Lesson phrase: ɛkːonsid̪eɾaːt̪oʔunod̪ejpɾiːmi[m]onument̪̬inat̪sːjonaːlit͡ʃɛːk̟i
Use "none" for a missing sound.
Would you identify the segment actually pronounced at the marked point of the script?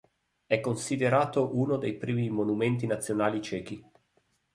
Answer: m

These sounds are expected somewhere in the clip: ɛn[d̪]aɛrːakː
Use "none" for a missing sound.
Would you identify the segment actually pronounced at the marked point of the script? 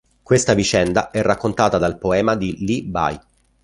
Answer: d̪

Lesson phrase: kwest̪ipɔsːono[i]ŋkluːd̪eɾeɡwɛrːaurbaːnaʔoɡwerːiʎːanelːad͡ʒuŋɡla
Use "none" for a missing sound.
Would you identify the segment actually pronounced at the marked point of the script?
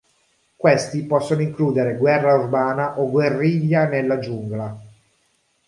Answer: i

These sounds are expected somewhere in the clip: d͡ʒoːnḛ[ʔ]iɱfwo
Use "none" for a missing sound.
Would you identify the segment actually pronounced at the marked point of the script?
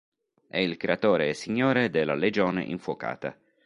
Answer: ʔ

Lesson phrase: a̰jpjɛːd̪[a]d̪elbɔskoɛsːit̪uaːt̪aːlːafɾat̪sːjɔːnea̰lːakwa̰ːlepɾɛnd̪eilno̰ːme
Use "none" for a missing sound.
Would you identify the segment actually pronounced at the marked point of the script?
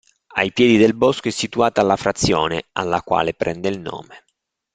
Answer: i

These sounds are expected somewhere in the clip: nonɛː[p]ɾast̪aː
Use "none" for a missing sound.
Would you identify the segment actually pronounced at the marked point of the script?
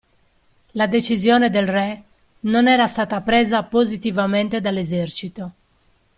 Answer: none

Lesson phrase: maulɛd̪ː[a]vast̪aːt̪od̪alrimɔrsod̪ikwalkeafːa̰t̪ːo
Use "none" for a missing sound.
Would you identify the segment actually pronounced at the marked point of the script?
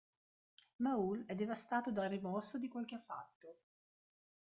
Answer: e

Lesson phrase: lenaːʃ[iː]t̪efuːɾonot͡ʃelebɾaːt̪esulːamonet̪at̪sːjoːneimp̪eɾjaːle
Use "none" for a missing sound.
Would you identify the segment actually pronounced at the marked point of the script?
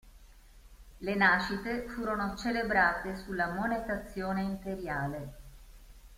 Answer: i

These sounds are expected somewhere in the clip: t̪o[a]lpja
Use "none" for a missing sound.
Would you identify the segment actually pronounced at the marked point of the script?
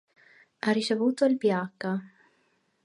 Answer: i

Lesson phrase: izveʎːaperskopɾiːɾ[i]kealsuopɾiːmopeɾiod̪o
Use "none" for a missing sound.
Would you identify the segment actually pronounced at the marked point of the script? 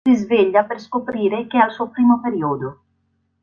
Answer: e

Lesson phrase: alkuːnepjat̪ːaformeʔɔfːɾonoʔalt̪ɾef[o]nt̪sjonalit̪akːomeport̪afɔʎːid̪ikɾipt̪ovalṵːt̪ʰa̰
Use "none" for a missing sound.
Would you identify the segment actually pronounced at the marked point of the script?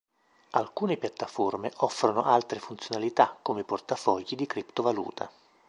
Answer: u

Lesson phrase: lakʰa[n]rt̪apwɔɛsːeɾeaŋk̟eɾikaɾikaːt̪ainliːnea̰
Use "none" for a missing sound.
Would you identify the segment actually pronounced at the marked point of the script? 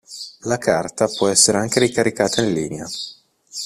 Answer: none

